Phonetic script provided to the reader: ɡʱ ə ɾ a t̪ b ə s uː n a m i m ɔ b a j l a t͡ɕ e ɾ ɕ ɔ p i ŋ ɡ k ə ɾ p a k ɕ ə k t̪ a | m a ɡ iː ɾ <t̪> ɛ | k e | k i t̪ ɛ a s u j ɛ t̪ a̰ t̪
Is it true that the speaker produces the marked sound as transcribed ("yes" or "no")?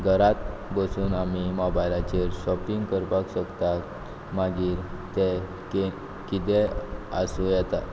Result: yes